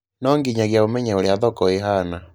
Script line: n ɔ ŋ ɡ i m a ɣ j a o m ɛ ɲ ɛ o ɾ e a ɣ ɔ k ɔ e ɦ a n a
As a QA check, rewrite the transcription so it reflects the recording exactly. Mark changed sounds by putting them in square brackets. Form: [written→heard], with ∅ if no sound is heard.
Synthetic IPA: n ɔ ŋ ɡ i [m→ɲ] a ɣ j a o m ɛ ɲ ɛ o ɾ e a [ɣ→ð] ɔ k ɔ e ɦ a n a